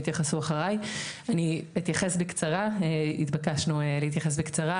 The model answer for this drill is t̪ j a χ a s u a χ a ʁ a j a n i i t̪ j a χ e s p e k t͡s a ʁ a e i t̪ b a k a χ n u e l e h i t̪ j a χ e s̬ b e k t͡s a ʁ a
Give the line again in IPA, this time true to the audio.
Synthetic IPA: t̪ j a χ a s u a χ a ʁ a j a n i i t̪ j a χ e s b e k t͡s a ʁ a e i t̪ b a k a ʃ n u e l e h i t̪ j a χ e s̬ b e k t͡s a ʁ a

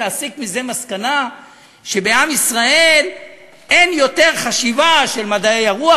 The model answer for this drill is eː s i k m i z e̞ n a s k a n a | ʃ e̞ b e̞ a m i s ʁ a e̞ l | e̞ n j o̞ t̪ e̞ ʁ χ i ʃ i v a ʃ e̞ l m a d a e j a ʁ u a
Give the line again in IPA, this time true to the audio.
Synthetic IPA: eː s i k m i z e̞ m a s k a n a | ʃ e̞ b e̞ a m i s ʁ a e̞ l | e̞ n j o̞ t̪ e̞ ʁ χ a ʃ i v a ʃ e̞ l m a d a e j a ʁ u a

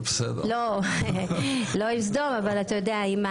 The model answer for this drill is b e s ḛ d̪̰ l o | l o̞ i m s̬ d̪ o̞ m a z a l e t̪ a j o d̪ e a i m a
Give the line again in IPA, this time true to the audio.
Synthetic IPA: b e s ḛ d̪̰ l o | l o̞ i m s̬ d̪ o̞ m a v a l a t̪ a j o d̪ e a i m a

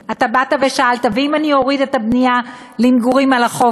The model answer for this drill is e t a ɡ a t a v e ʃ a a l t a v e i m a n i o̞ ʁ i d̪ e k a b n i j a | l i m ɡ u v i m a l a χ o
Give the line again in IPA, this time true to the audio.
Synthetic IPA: a t a b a t a v e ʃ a a l t a v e i m a n i o̞ ʁ i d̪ e t a b n i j a | l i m ɡ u ʁ i m a l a χ o

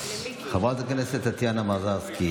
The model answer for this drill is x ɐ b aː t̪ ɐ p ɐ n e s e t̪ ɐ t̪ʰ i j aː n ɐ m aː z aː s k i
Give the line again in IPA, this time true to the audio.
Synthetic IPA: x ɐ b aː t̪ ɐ k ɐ n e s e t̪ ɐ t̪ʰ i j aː n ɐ m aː z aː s k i

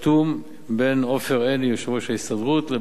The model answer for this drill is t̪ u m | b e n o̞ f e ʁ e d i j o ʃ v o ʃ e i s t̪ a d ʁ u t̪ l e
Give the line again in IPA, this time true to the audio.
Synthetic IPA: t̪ u m | b e n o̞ f e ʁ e n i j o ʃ v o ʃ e i s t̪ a d ʁ u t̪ l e

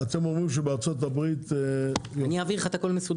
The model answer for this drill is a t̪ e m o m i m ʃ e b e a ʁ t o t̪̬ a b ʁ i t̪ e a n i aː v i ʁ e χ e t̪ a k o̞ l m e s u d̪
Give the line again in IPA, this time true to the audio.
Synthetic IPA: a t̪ e m o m i m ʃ e b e a ʁ t͡s o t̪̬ a b ʁ i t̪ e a n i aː v i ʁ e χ a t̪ a k o̞ l m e s u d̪

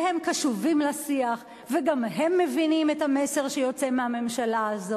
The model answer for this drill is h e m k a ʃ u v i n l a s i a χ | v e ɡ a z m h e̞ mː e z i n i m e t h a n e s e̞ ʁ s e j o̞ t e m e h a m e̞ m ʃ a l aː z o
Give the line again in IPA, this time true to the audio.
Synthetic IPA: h e m k a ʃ u v i m l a s i a χ | v e ɡ a m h e̞ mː e v i n i m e t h a m e s e̞ ʁ ʃ e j o̞ t͡s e m e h a m e̞ m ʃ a l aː z o

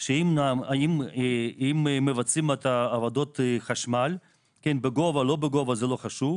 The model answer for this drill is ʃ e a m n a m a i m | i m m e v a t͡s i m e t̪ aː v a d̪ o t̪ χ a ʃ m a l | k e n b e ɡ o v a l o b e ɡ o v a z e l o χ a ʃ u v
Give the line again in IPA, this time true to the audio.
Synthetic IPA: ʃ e i m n a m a i m | i m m e v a t͡s i m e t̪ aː v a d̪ o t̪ χ a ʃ m a l | k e n b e ɡ o v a l o b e ɡ o v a z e l o χ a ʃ u v

